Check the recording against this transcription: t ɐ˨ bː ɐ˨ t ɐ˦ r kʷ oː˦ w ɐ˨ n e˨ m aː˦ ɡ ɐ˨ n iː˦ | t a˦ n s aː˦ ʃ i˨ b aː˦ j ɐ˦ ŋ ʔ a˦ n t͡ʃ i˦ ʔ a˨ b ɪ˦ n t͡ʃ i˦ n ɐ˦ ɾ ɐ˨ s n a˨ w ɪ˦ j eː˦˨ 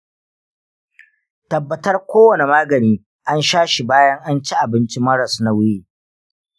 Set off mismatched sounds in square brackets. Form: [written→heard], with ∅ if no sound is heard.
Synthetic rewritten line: t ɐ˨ bː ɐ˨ t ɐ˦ r kʷ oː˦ w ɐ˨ n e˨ m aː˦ ɡ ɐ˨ n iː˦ | [t→ʔ] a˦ n [s→ʃ] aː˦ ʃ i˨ b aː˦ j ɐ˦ ŋ ʔ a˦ n t͡ʃ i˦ ʔ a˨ b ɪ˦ n t͡ʃ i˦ [n→m] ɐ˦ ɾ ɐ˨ s n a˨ w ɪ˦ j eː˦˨